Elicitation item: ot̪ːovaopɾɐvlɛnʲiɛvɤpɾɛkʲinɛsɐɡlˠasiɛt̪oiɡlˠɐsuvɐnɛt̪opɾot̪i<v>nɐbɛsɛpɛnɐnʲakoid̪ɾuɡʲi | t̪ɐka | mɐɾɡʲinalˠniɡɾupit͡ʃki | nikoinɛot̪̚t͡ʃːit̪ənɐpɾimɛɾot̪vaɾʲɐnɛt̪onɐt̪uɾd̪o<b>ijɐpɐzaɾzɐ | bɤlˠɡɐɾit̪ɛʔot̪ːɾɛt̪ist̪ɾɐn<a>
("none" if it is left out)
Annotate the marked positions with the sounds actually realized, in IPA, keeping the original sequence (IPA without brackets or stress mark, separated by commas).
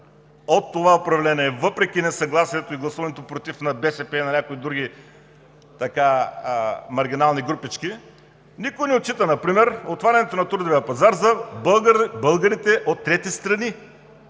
f, v, i